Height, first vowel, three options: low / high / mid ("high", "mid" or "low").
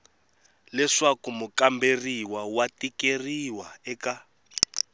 mid